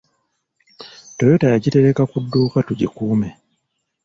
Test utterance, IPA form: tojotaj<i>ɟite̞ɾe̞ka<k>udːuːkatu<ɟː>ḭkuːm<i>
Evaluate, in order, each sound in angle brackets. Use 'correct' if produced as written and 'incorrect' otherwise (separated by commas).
incorrect, correct, incorrect, incorrect